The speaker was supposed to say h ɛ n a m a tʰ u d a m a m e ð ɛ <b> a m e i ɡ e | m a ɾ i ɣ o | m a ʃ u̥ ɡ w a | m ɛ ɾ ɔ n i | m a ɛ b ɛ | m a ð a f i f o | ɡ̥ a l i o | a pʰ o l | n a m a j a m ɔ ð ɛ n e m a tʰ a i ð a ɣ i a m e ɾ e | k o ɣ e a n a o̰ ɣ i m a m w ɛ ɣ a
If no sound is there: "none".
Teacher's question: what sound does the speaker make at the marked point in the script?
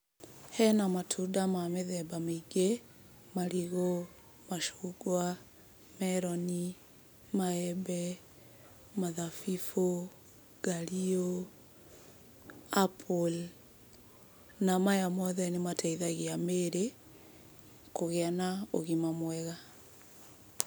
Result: b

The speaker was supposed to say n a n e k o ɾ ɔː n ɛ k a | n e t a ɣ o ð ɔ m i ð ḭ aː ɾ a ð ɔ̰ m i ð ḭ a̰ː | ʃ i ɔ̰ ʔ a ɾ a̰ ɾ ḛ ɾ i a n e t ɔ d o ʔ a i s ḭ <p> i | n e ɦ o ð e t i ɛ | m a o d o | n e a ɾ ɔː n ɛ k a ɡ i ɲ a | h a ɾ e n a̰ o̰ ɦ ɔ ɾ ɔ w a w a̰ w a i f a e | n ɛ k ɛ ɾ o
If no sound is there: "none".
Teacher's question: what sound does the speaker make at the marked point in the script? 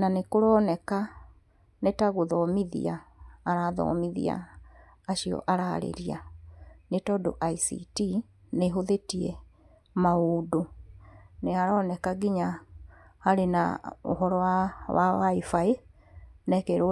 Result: t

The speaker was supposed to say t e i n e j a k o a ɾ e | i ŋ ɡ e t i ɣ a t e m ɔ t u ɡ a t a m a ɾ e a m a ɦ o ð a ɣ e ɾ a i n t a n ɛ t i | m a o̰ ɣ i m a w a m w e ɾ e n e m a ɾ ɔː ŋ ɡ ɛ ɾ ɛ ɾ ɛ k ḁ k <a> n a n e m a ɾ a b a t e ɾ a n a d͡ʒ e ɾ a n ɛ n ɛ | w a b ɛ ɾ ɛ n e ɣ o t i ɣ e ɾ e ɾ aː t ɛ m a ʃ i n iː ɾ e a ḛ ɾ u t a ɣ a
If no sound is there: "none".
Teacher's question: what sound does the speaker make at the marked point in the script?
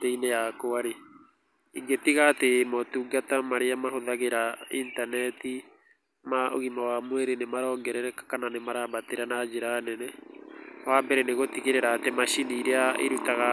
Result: a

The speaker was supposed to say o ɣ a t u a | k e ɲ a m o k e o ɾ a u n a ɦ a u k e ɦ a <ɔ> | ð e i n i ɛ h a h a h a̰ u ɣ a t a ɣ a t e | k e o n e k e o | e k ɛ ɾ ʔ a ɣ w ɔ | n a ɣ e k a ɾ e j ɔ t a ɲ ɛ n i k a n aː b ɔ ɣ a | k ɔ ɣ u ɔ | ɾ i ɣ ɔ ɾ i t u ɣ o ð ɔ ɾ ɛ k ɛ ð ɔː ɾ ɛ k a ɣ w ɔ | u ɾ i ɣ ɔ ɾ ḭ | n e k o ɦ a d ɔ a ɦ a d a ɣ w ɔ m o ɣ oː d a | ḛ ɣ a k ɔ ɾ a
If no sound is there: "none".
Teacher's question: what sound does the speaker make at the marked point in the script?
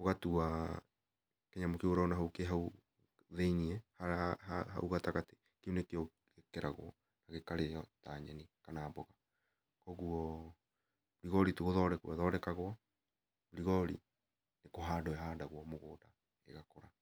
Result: u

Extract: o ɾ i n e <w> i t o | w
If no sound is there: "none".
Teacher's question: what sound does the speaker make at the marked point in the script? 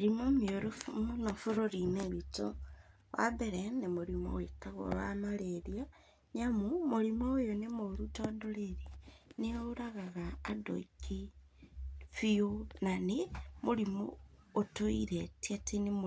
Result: β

